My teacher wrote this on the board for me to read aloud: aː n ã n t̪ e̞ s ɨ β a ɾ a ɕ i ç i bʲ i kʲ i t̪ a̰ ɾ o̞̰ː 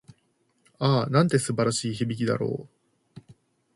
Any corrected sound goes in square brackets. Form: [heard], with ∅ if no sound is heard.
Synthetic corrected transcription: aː n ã n t̪ e̞ s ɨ [b] a ɾ a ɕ [iː] ç i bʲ i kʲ i [d̪] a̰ ɾ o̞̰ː